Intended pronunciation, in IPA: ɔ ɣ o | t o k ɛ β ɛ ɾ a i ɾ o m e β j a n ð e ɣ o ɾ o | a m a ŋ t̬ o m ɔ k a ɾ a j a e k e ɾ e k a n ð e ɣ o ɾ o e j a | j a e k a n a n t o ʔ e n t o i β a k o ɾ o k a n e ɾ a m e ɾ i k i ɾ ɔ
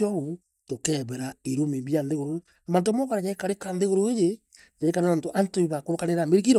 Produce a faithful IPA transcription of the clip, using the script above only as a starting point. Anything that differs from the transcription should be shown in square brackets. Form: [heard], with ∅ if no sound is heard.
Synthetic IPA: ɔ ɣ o | t o k ɛ β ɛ ɾ a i ɾ o m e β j a n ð e ɣ o ɾ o | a m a [n] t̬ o m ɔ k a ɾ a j a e k [a] ɾ e k a n ð e ɣ o ɾ o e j [e] | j a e k a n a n t o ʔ [a] n t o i β a k o ɾ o k a n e ɾ a m e ɾ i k i ɾ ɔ